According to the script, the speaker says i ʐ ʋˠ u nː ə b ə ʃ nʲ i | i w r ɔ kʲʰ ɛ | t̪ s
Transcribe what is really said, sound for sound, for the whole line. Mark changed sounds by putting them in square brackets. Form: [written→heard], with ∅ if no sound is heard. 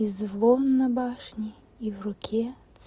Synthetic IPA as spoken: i [ʐ→z] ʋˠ [u→ɔ] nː [ə→ɐ] b [ə→ɑ] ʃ nʲ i | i w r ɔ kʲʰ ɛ | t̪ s